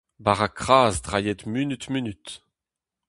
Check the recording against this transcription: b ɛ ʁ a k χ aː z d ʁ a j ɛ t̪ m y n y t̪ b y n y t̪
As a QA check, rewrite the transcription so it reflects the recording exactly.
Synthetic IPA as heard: b a ʁ a k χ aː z d ʁ a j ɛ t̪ m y n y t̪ m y n y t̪